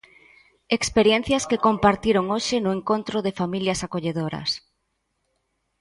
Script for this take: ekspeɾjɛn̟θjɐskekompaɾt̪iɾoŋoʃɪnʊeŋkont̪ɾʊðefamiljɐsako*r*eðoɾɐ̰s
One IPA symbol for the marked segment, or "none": ʎ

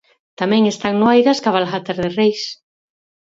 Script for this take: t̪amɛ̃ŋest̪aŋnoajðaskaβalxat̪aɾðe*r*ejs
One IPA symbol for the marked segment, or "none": r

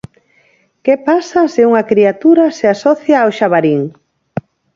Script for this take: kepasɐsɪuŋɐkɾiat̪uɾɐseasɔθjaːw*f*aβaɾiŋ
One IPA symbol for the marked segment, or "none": ʃ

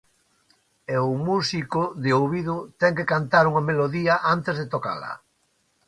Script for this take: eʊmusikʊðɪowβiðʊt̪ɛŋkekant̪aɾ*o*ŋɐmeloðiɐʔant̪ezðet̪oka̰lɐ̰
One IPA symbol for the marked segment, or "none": u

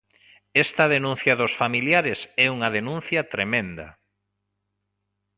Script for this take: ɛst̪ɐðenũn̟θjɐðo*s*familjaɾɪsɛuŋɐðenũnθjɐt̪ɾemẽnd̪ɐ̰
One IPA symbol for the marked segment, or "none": s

